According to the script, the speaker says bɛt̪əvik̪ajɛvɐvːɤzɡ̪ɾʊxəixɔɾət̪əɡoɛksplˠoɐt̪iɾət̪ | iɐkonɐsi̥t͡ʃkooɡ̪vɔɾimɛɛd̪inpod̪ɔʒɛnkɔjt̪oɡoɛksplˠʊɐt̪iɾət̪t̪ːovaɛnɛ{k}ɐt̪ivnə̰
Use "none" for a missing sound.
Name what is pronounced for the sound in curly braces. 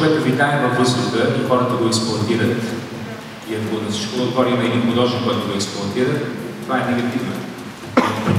ɡ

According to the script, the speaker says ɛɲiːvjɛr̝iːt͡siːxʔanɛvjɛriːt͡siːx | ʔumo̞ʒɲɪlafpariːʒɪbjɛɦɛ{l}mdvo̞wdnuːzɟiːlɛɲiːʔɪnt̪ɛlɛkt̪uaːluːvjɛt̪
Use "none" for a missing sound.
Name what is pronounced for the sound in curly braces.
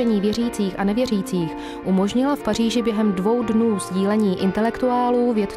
none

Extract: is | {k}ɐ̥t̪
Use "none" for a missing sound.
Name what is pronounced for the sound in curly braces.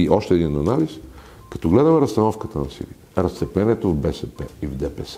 k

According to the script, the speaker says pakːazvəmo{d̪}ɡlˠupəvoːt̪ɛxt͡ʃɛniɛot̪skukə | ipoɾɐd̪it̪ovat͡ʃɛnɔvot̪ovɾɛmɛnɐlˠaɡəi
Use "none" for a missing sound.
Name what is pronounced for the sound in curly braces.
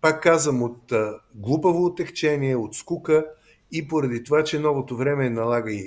t̪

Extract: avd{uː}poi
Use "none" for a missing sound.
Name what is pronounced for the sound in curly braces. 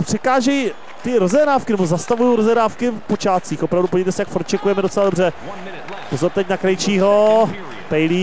u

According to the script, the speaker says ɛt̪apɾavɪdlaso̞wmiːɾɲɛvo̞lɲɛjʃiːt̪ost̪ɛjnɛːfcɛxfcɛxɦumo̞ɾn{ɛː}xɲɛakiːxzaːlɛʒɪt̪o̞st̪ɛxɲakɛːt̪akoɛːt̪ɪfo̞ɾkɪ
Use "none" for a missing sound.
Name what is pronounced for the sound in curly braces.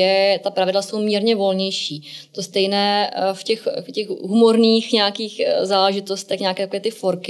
iː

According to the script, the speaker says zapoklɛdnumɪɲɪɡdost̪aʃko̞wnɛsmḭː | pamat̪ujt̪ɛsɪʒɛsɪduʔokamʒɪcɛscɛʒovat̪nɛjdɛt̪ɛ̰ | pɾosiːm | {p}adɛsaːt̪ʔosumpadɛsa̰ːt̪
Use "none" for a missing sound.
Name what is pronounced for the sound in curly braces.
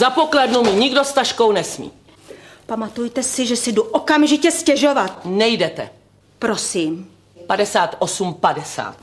p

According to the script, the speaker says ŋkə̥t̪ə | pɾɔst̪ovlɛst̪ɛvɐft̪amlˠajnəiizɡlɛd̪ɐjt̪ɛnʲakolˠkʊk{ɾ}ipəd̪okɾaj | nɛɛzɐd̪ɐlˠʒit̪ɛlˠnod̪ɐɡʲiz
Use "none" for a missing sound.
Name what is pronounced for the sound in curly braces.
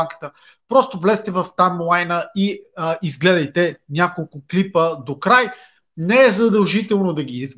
l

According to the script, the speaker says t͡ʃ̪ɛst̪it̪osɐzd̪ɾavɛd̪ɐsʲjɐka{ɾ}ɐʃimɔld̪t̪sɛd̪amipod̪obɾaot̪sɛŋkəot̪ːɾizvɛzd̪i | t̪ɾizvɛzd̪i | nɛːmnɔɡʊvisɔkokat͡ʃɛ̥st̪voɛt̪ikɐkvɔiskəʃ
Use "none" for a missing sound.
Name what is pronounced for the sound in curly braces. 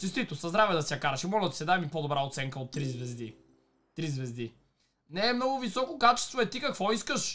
ɾ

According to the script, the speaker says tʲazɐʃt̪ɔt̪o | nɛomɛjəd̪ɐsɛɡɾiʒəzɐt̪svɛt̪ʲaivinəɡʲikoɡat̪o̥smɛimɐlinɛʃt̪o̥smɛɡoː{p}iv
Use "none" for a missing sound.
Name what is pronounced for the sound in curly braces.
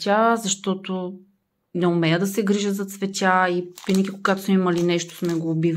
b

